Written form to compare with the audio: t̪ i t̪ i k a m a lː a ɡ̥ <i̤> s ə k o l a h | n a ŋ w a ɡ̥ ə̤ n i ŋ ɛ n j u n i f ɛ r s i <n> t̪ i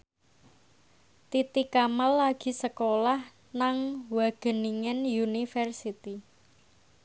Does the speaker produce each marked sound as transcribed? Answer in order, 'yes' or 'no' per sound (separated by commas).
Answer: yes, no